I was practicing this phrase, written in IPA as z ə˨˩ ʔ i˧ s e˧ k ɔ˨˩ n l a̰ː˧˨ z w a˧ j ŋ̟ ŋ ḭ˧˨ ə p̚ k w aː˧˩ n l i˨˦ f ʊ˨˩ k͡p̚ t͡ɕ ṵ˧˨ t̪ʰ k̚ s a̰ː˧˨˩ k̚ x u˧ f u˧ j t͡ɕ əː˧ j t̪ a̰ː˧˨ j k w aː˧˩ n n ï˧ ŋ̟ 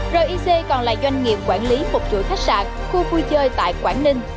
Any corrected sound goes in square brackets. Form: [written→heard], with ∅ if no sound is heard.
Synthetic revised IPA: z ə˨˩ ʔ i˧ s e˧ k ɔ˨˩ n l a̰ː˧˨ z w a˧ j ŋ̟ ŋ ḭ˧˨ ə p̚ k w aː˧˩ n l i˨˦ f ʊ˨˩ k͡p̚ t͡ɕ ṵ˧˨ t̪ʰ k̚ s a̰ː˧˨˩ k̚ x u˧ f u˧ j t͡ɕ əː˧ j t̪ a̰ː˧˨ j k w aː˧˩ n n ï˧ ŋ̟